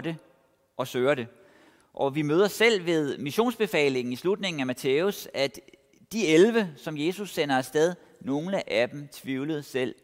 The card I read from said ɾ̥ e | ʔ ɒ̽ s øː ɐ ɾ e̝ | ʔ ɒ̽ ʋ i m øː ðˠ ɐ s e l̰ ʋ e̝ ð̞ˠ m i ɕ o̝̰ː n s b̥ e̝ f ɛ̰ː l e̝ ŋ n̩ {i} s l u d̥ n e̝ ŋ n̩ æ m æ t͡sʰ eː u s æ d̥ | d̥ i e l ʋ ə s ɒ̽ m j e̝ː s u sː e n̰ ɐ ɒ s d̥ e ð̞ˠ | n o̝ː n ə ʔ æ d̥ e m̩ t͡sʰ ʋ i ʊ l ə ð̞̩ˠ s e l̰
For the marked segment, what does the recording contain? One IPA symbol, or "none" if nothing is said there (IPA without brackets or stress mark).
i